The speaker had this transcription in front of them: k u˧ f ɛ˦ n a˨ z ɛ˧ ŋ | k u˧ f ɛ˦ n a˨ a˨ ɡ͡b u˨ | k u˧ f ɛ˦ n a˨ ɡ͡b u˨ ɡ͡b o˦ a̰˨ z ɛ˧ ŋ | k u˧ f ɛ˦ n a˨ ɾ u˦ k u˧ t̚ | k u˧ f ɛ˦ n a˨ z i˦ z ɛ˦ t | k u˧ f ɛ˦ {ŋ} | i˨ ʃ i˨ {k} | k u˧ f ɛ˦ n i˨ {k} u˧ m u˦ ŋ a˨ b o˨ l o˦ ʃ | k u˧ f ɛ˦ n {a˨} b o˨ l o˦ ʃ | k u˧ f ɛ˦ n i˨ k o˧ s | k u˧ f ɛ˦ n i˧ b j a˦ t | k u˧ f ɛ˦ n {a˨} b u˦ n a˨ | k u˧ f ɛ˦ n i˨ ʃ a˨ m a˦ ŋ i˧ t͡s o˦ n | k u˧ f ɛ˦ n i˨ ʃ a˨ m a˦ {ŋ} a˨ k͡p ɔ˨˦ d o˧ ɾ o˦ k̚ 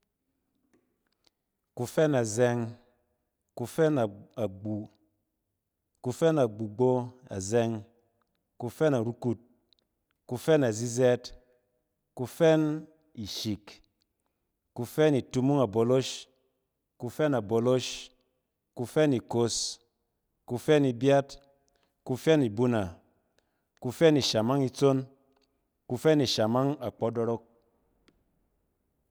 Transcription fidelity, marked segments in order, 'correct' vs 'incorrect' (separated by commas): incorrect, correct, incorrect, correct, incorrect, correct